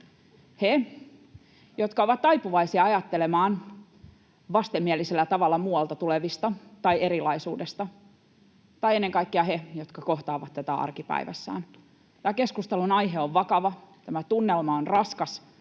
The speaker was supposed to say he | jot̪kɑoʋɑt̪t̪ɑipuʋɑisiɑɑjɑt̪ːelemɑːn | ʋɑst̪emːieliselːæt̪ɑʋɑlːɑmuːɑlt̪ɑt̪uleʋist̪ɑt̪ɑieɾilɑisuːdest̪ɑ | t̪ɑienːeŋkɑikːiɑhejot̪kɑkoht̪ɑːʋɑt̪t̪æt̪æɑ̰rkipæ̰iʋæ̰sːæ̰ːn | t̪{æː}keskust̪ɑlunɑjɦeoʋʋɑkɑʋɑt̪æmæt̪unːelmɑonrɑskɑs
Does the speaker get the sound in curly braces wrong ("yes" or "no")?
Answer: no